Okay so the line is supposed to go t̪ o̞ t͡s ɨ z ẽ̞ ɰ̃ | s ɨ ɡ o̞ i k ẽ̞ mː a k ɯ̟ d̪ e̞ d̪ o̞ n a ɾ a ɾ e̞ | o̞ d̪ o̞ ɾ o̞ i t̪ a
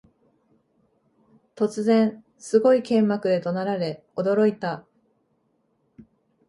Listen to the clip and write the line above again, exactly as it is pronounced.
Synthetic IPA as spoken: t̪ o̞ t͡s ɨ z ẽ̞ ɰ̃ | s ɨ ɡ o̞ i k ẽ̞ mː a k ɯ̟ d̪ e̞ t̪ o̞ n a ɾ a ɾ e̞ | o̞ d̪ o̞ ɾ o̞ i t̪ a